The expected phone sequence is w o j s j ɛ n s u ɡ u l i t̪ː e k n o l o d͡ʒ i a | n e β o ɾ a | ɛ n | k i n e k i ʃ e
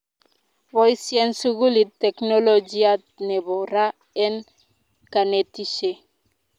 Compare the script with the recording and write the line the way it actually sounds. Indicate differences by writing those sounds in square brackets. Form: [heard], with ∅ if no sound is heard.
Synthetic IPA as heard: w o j s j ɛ n s u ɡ u l i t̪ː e k n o l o d͡ʒ i a | n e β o ɾ a | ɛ n | k [a] n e [t] i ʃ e